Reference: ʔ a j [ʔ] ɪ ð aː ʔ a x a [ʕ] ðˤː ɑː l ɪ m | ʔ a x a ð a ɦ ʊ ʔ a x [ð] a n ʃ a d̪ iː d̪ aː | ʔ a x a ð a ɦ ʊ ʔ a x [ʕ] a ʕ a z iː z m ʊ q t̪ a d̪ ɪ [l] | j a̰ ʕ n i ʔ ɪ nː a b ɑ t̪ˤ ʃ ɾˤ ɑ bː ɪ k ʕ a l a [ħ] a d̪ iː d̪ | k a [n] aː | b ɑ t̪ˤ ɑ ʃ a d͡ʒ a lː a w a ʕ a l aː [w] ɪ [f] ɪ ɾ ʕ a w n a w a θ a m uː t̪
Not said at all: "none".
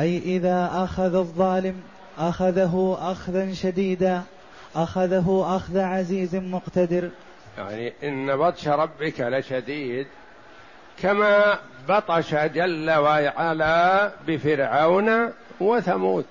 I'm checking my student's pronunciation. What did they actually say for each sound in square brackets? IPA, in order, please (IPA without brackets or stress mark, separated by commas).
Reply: ʔ, ð, ð, ð, ɾ, ʃ, m, b, f